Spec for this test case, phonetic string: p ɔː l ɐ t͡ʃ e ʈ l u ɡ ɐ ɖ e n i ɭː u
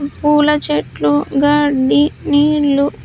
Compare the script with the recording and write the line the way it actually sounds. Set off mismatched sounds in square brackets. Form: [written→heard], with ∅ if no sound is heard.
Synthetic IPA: p [ɔː→uː] l ɐ t͡ʃ e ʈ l u ɡ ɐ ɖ [e→i] n [i→iː] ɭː u